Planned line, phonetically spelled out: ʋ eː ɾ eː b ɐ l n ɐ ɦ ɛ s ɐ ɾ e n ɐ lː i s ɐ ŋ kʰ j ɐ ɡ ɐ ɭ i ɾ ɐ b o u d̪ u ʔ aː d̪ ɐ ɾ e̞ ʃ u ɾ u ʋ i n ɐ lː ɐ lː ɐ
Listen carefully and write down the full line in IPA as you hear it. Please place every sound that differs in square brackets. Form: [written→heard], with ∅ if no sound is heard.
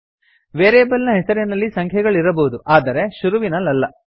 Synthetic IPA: ʋ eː ɾ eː b ɐ l n ɐ ɦ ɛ s ɐ ɾ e n ɐ lː i s ɐ ŋ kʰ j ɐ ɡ ɐ ɭ i ɾ ɐ b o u d̪ u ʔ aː d̪ ɐ ɾ e̞ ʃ u ɾ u ʋ i n ɐ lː ɐ lː ɐ